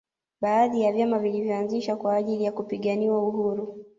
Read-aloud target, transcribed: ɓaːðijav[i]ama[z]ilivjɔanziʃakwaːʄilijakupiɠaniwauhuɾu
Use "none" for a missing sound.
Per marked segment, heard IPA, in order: j, v

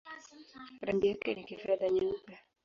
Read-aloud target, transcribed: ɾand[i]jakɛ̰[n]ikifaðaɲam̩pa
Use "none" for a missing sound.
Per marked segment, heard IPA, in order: i, n

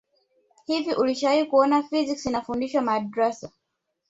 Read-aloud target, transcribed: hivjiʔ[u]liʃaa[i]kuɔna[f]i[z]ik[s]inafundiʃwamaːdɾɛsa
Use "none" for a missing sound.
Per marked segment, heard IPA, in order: u, i, f, z, s

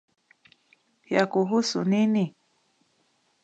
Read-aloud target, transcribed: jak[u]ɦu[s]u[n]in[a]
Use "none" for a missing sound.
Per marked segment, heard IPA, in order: u, s, n, i

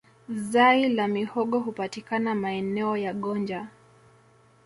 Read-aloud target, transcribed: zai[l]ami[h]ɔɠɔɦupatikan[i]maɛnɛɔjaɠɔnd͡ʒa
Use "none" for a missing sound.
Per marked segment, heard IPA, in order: l, h, a

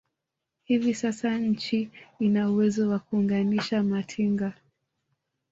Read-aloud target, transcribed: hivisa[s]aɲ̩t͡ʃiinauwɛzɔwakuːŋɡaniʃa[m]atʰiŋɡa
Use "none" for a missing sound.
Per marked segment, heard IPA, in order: s, m

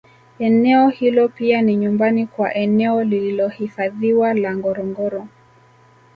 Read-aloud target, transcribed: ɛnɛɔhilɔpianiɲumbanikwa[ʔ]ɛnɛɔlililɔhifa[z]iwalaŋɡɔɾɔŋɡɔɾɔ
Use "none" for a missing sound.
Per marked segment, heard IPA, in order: ʔ, ð

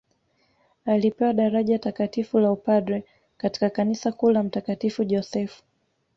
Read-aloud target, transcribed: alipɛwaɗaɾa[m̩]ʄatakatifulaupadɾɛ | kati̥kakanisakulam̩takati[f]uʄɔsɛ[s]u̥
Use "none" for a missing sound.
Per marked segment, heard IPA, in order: none, f, f

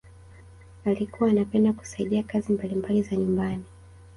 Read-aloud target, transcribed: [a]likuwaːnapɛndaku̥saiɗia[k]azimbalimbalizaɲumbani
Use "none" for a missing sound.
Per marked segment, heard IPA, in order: a, k

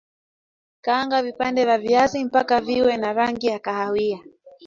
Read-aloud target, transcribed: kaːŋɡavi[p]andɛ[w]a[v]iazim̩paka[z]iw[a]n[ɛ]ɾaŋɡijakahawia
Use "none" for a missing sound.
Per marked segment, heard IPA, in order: p, v, v, v, ɛ, a

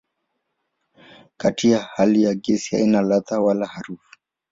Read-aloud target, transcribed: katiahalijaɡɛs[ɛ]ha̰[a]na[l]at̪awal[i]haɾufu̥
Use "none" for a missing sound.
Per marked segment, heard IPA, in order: i, i, l, a

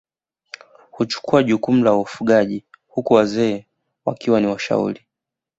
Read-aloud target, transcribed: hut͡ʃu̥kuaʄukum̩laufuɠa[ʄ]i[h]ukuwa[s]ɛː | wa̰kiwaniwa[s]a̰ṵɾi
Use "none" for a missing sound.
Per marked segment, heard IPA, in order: ʄ, h, z, ʃ

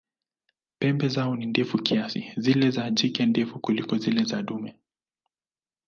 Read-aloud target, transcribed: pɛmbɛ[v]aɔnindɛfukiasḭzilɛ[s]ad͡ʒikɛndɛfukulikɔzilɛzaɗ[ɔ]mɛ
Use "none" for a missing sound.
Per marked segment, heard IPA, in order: z, z, u

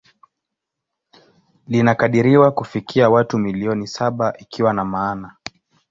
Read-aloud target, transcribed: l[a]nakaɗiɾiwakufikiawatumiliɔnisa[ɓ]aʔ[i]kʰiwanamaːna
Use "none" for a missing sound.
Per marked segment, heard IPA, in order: i, ɓ, i

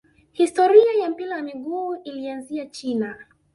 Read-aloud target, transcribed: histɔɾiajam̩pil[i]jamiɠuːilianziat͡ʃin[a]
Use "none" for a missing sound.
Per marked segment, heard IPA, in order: a, a

